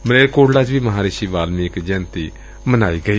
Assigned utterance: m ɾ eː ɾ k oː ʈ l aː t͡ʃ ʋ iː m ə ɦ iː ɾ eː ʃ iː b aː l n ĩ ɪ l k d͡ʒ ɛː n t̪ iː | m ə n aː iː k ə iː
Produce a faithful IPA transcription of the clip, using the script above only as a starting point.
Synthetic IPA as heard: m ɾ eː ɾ k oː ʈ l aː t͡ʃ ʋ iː m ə ɦ aː ɾ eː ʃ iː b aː l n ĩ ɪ k d͡ʒ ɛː n t̪ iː | m ə n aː iː ɡ ə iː